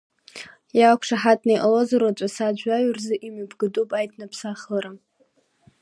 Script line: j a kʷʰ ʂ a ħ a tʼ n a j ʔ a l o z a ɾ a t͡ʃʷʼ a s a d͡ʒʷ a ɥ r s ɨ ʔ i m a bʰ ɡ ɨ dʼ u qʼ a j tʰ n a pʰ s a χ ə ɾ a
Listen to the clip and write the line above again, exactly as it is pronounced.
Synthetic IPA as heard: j a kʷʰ ʂ a ħ a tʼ n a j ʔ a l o z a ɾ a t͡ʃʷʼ a s a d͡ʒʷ a ɥ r z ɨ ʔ i m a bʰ ɡ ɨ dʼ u pʼ a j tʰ n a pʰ s a χ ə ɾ a